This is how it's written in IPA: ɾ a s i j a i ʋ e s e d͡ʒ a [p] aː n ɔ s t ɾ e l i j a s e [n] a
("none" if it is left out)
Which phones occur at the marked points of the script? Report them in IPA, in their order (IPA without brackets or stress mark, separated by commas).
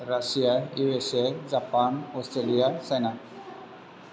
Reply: p, n